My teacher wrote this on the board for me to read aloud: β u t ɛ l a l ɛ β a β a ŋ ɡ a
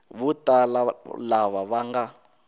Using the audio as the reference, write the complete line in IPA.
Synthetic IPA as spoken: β u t a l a l a β a β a ŋ ɡ a